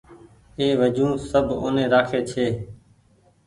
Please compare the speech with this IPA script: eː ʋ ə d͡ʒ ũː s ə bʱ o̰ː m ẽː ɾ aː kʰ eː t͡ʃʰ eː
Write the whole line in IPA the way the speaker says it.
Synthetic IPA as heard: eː ʋ ə d͡ʒ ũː s ə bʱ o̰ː n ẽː ɾ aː kʰ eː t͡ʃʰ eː